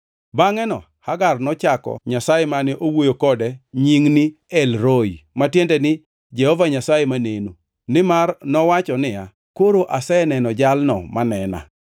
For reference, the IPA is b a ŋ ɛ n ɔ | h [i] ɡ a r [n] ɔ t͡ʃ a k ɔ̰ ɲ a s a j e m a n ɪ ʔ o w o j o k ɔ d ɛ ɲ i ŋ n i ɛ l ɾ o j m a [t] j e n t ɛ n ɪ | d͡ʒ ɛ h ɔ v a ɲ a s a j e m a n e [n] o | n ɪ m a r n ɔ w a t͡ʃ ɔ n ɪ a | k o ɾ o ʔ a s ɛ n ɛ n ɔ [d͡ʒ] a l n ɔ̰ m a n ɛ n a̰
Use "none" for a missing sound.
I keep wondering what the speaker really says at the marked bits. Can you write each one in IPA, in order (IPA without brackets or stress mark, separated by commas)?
a, n, t, n, d͡ʒ